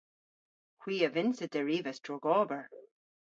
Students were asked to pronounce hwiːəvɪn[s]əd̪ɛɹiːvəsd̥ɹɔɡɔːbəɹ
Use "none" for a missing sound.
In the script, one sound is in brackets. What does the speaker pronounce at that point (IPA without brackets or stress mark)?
s